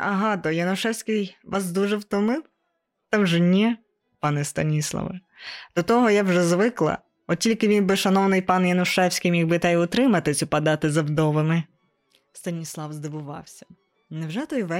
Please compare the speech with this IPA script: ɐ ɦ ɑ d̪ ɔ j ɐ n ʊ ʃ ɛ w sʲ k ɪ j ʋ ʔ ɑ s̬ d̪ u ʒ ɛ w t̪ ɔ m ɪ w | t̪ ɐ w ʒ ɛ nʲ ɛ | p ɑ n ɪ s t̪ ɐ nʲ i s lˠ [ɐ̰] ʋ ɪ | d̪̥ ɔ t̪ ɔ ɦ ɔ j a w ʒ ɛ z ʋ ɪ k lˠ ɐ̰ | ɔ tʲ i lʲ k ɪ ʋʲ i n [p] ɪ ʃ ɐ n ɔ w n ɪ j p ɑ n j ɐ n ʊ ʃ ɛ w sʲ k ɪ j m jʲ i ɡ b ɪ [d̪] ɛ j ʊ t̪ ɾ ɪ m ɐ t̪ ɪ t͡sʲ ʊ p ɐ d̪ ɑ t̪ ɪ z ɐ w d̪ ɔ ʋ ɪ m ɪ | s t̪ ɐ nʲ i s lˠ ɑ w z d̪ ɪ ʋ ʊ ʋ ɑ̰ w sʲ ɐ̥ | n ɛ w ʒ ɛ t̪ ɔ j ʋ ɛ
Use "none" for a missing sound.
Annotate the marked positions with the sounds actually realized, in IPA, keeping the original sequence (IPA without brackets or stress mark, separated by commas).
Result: ɐ̰, b, t̪